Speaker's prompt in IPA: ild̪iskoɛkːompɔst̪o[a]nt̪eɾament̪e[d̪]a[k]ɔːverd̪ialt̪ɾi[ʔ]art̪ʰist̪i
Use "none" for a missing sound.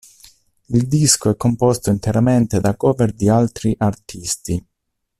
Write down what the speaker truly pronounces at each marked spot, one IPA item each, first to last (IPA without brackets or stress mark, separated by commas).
i, d̪, k, ʔ